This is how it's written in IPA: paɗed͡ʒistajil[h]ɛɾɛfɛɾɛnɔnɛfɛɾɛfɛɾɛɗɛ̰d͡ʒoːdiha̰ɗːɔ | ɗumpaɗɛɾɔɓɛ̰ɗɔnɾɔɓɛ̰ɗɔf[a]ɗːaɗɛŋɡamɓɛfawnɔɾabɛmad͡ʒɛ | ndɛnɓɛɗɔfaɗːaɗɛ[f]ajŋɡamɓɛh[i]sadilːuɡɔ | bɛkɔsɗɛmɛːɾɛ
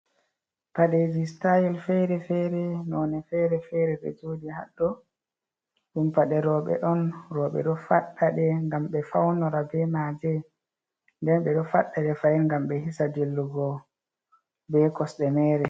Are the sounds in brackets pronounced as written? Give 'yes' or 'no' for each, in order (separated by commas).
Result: no, yes, yes, yes